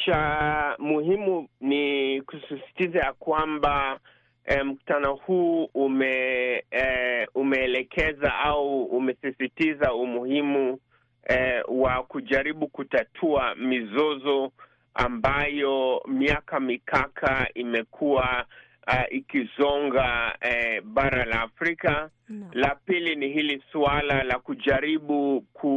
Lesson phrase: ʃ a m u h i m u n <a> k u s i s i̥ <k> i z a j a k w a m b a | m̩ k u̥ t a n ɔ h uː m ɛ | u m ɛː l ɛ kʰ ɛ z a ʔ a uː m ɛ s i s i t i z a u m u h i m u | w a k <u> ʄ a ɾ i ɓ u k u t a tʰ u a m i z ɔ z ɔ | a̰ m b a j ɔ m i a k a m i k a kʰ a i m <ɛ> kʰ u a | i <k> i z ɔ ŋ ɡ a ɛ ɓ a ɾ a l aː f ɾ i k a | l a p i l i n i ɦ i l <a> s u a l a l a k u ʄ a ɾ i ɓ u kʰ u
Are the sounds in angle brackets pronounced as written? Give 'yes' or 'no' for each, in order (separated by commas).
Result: no, no, yes, yes, yes, no